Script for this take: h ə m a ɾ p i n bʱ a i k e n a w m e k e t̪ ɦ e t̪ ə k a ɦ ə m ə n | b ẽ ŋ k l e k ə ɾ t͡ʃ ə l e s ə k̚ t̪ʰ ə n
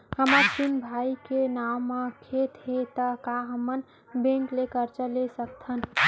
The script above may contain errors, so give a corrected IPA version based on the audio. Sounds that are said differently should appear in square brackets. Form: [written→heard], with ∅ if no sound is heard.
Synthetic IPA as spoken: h ə m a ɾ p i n bʱ a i k e n a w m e [k→kʰ] e t̪ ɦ e t̪ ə k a ɦ ə m ə n | b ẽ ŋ k l e k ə ɾ t͡ʃ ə l e s ə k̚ t̪ʰ ə n